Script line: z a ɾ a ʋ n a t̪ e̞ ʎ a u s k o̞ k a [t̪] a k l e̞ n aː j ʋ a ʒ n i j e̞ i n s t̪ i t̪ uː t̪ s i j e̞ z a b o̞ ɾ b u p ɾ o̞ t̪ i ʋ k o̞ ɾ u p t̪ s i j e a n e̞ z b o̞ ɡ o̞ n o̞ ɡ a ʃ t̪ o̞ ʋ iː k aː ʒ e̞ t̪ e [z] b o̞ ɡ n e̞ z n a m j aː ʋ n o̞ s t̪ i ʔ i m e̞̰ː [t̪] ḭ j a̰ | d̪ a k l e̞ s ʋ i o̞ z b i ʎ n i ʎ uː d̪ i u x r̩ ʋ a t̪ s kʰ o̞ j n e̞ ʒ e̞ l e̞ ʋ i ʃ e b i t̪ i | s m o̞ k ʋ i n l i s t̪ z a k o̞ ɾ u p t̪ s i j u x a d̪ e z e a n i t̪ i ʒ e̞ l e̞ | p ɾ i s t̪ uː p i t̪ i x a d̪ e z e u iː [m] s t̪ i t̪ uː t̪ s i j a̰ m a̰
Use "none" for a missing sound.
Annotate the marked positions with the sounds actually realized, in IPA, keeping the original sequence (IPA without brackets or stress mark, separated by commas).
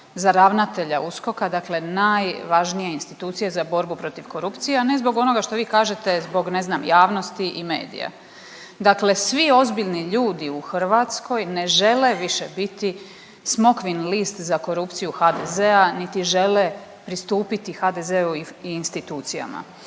d̪, z, d̪, n